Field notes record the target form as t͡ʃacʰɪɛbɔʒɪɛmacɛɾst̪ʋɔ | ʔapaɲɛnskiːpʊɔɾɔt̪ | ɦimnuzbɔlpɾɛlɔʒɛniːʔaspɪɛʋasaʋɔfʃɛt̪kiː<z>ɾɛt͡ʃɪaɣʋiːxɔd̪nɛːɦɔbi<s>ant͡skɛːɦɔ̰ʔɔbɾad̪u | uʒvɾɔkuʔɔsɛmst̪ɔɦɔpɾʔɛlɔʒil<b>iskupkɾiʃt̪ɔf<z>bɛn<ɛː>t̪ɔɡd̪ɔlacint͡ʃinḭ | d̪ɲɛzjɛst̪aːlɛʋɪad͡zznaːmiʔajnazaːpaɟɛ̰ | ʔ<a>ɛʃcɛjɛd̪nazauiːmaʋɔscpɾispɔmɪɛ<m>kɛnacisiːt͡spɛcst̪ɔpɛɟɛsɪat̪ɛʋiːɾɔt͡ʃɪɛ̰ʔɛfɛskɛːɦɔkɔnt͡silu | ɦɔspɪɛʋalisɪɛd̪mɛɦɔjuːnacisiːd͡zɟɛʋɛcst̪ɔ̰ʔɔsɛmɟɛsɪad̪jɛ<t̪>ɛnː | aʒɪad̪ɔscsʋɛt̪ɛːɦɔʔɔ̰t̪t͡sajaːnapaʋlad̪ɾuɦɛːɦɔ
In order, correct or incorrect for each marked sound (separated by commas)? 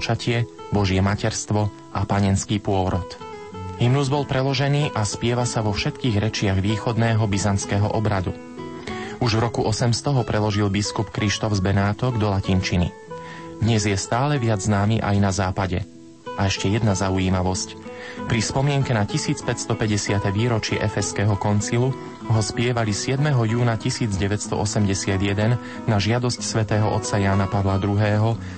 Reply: incorrect, incorrect, correct, correct, incorrect, correct, incorrect, incorrect